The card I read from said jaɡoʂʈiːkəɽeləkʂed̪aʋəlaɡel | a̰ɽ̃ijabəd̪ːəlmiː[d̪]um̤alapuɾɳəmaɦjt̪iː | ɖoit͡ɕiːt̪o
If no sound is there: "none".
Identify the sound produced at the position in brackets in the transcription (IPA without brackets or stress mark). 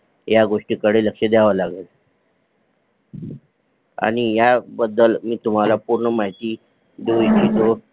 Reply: t̪